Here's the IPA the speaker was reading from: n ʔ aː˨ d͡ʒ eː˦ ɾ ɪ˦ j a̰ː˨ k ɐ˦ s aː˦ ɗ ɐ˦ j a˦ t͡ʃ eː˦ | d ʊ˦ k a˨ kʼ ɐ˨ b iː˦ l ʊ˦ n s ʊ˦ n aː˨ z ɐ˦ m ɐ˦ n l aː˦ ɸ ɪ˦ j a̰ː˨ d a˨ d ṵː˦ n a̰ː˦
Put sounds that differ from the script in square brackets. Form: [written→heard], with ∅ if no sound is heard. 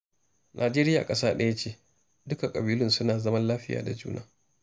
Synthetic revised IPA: n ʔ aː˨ d͡ʒ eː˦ ɾ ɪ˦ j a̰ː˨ [k→kʼ] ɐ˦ s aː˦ ɗ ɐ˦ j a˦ t͡ʃ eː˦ | d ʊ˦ k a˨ kʼ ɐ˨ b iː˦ l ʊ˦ n s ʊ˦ n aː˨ z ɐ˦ m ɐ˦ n l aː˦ ɸ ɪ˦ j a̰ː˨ d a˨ [d→d͡ʒ] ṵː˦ n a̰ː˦